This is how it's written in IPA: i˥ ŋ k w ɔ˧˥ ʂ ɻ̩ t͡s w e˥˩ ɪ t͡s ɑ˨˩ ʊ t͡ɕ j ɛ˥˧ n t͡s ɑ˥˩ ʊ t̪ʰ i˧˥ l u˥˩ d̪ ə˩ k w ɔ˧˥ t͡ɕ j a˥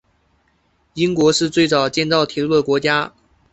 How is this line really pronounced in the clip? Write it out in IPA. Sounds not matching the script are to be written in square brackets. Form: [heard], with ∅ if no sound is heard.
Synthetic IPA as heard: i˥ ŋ k w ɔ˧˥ ʂ ɻ̩ t͡s w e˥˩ ɪ t͡s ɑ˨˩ ʊ t͡ɕ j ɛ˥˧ n t͡s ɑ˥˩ ʊ t̪ʰ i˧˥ l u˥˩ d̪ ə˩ k w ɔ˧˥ t͡ɕ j a˥